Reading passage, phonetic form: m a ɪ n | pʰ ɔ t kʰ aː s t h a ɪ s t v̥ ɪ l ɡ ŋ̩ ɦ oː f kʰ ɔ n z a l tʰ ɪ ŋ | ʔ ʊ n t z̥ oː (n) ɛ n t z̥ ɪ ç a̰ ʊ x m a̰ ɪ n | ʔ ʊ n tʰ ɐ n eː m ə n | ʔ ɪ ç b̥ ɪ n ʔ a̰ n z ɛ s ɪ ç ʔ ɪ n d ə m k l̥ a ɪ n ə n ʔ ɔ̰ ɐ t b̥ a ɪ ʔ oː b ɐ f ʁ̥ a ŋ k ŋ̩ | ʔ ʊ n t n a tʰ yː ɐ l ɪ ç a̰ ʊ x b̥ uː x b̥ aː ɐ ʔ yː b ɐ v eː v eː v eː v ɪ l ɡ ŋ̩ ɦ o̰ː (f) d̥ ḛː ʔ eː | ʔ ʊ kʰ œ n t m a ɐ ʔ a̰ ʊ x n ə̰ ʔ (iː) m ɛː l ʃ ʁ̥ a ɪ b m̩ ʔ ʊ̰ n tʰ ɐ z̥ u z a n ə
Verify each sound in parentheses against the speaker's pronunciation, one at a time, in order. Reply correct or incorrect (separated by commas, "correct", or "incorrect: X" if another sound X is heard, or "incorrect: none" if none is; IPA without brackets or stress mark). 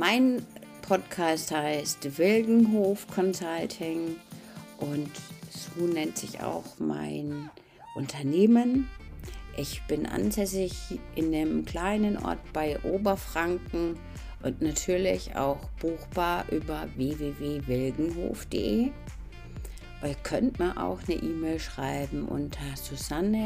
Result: correct, correct, correct